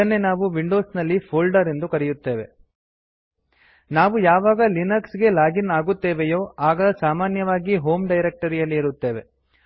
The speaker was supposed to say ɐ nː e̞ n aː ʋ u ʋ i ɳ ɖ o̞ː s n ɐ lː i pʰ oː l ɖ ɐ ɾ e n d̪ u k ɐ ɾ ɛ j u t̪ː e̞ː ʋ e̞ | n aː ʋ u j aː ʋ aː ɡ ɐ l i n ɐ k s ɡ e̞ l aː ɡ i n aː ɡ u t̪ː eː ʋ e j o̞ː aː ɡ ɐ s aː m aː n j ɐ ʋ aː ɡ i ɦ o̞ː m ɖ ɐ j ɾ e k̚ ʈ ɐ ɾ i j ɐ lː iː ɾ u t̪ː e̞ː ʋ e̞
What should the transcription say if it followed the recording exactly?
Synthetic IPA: ɐ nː e̞ n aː ʋ u ʋ i ɳ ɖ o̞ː s n ɐ lː i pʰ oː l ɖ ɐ ɾ e n d̪ u k ɐ ɾ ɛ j u t̪ː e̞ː ʋ e̞ | n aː ʋ u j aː ʋ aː ɡ ɐ l i n ɐ k s ɡ e̞ l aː ɡ i n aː ɡ u t̪ː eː ʋ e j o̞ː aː ɡ ɐ s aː m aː n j ɐ ʋ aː ɡ i ɦ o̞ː m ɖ ɐ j ɾ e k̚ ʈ ɐ ɾ i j ɐ lː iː ɾ u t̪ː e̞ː ʋ e̞

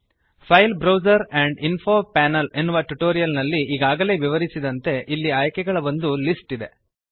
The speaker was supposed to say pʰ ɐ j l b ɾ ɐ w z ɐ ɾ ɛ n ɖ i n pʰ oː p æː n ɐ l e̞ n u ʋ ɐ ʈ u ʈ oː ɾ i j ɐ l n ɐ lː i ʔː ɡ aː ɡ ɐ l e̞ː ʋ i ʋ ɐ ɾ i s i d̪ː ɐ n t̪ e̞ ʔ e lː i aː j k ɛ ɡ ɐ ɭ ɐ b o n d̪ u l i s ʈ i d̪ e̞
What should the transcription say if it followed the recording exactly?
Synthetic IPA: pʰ ɐ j l b ɾ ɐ w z ɐ ɾ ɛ ɳ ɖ i n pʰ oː p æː n ɐ l e̞ nː u ʋ ɐ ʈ u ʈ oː ɾ i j ɐ l n ɐ lː i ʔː ɡ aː ɡ ɐ l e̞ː ʋ i ʋ ɐ ɾ i s i d̪ ɐ n t̪ e̞ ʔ i lː i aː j k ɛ ɡ ɐ ɭ ɐ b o n d̪ u l i s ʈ i d̪ e̞

